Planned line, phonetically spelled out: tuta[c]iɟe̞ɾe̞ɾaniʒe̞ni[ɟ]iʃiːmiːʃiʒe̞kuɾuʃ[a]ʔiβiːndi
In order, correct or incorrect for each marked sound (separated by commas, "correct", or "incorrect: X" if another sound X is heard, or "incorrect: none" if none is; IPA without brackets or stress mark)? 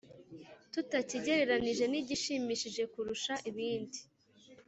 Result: correct, correct, correct